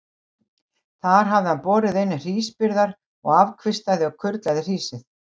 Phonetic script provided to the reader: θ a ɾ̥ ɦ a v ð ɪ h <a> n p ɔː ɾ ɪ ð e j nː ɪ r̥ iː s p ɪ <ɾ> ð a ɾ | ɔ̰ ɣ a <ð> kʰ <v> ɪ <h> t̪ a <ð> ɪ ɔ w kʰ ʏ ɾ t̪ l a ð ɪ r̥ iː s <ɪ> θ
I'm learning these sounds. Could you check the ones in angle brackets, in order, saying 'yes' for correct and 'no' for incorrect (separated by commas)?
yes, yes, no, yes, no, yes, yes